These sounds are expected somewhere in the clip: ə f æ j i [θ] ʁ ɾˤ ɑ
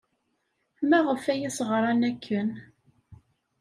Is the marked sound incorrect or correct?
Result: incorrect